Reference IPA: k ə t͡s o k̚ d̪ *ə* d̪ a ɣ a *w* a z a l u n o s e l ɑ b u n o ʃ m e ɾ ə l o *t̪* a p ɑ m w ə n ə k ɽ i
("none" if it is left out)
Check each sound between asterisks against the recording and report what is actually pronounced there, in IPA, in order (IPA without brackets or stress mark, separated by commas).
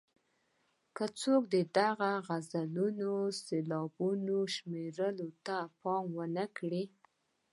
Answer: ə, ɣ, t̪